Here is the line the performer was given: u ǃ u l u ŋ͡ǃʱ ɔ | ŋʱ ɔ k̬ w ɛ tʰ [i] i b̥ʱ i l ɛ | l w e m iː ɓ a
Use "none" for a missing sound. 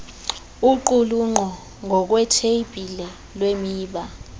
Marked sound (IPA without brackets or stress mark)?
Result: e